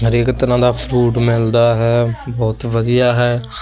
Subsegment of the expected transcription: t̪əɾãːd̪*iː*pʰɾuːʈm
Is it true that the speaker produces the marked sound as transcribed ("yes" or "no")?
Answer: no